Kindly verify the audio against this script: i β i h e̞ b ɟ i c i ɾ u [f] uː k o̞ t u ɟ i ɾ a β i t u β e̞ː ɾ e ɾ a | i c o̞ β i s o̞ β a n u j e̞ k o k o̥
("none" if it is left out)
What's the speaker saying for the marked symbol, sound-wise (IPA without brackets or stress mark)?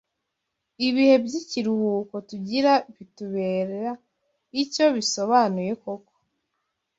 h